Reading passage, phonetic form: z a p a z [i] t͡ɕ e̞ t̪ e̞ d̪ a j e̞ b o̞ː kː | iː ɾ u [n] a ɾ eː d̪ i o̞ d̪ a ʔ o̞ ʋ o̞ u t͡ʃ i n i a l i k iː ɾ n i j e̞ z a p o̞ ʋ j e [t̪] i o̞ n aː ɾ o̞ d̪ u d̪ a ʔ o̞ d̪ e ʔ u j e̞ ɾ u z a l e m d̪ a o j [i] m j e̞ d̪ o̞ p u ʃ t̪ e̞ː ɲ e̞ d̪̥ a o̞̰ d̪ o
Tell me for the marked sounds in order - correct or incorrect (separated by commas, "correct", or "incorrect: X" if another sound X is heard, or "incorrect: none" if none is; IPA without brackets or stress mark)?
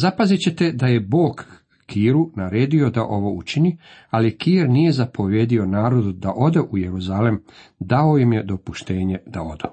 correct, correct, incorrect: d̪, correct